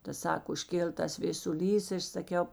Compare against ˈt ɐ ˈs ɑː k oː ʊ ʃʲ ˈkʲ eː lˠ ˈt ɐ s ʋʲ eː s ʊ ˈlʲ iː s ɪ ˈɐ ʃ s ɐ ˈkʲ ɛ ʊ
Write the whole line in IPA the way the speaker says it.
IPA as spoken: ˈt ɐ ˈs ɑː k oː ʊ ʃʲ ˈkʲ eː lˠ ˈt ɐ s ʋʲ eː s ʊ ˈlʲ iː s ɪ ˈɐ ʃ s ɐ ˈkʲ ɛ ʊ